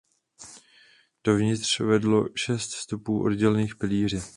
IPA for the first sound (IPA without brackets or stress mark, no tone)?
d̥